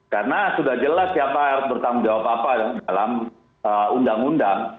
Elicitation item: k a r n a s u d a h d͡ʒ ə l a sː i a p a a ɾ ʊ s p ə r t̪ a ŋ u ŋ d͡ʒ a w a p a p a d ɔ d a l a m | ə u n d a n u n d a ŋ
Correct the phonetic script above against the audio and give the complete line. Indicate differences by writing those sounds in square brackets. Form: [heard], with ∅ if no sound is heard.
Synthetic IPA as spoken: k a r n a s u d a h d͡ʒ ə l a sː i a p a a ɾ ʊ s [b] ə r t̪ a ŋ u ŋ d͡ʒ a w a p a p a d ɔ d a l a m | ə u n d a [ŋ] u n d a ŋ